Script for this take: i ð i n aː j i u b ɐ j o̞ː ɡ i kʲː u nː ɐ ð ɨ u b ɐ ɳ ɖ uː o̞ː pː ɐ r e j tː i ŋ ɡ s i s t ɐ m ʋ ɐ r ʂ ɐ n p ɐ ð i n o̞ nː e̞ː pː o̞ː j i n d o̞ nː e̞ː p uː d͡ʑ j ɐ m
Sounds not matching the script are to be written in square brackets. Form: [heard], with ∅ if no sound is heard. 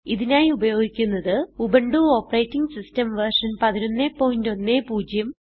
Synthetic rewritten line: i ð i n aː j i u b ɐ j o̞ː ɡ i kʲː u nː ɐ ð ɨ u b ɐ ɳ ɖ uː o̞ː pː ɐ r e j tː i ŋ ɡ s i s t ɐ m ʋ ɐ r ʂ ɐ n p ɐ ð i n o̞ nː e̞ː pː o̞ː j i n d o̞ nː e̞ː p uː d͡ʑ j ɐ m